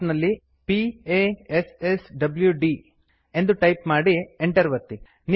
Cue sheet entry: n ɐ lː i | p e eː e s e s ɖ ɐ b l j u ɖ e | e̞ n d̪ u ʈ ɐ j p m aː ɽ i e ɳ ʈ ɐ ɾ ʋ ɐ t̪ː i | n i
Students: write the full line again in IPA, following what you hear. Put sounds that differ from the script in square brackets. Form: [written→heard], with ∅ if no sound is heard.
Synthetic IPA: n ɐ lː i | p [e→i] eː e s e s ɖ ɐ b l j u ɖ [e→i] | e̞ n d̪ u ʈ ɐ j p m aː ɽ i e ɳ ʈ ɐ ɾ ʋ ɐ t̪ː i | n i

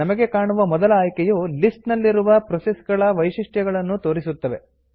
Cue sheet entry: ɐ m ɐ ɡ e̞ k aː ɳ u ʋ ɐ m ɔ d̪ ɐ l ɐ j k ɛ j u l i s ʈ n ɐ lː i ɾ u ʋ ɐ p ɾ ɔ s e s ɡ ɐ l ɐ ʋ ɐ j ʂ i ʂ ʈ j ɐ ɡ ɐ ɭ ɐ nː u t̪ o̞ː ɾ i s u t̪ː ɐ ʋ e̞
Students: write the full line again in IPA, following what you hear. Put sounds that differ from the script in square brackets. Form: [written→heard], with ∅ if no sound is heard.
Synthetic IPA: ɐ m ɐ ɡ e̞ k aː ɳ u ʋ ɐ m ɔ d̪ ɐ l [ɐ→ɐː] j k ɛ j u l i s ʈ n ɐ lː i ɾ u ʋ ɐ p ɾ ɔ s e s ɡ ɐ [l→ɭ] ɐ ʋ ɐ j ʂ i ʂ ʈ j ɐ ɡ ɐ ɭ ɐ nː u t̪ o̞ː ɾ i s u t̪ː ɐ ʋ e̞

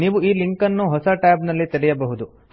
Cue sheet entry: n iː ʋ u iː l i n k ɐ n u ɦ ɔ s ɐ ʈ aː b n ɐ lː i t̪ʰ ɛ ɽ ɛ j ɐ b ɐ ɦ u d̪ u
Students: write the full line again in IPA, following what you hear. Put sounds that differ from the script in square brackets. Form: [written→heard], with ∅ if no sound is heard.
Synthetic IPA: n iː ʋ u iː l i [n→ŋ] k ɐ [n→nː] u ɦ ɔ s ɐ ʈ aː b n ɐ lː i [t̪ʰ→t̪] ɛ ɽ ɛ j ɐ b ɐ ɦ u d̪ u

